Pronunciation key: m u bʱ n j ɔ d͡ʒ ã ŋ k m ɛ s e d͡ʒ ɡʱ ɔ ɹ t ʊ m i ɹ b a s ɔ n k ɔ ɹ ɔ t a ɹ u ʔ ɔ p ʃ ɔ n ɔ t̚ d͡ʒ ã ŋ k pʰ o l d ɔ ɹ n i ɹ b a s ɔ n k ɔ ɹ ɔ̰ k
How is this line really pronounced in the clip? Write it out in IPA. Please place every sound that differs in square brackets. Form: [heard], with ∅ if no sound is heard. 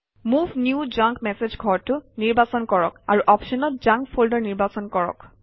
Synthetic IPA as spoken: m u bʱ n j [u] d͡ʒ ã ŋ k m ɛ s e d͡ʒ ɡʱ ɔ ɹ t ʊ [n] i ɹ b a s ɔ n k ɔ ɹ ɔ [k] a ɹ u ʔ ɔ p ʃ ɔ n ɔ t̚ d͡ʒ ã ŋ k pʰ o l d ɔ ɹ n i ɹ b a s ɔ n k ɔ ɹ ɔ̰ k